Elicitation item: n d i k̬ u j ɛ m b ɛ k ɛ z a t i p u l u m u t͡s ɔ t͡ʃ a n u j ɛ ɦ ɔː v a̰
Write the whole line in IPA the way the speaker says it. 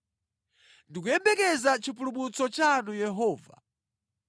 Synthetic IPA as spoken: n d i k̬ u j ɛ m b ɛ k ɛ z a t͡ʃ i p u l u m u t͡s ɔ t͡ʃ a n u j ɛ ɦ ɔː v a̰